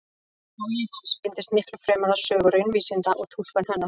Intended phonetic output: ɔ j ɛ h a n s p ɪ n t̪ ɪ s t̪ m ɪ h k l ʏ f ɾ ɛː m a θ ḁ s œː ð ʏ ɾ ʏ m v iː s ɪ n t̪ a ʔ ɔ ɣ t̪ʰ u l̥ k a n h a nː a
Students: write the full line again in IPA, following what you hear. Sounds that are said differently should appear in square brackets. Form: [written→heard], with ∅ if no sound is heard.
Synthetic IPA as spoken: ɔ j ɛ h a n s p ɪ n t̪ ɪ s t̪ m ɪ h k l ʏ f ɾ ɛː m a [θ→ð] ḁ s œː [ð→ɣ] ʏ ɾ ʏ [m→n] v iː s ɪ n t̪ a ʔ ɔ ɣ t̪ʰ u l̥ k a n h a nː a